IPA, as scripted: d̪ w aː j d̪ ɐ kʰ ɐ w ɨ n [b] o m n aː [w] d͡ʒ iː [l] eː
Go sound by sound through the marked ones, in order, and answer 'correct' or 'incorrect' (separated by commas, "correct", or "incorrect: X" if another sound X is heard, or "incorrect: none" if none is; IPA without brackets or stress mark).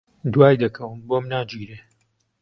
correct, incorrect: none, incorrect: ɾ